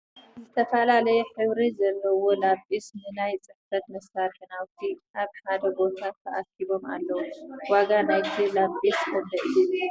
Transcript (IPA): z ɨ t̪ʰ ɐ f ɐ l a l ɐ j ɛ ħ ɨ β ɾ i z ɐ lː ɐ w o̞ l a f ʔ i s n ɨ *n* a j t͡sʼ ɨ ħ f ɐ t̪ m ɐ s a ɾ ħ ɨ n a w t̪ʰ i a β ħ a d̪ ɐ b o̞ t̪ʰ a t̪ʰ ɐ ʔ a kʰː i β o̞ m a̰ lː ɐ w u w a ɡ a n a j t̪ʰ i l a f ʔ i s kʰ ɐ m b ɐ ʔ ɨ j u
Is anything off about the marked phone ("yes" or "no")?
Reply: no